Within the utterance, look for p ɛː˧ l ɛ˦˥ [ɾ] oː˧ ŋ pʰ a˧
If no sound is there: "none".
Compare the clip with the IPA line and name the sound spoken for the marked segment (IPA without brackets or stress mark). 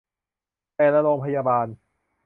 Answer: ɾ